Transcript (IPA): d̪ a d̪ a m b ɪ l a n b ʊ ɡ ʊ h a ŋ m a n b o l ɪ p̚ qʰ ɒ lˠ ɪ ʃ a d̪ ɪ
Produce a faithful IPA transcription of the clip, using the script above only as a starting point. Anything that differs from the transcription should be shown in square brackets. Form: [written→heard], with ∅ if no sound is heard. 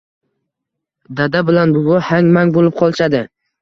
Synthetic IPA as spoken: d̪ a d̪ a [m→∅] b ɪ l a n b ʊ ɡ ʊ h a ŋ m a [n→ŋ] b o l ɪ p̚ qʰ ɒ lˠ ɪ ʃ a d̪ ɪ